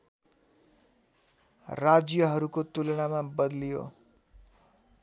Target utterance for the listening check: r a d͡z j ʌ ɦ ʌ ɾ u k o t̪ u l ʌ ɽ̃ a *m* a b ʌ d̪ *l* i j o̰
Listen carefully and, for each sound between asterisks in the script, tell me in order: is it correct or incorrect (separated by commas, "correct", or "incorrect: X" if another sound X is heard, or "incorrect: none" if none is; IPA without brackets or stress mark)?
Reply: correct, correct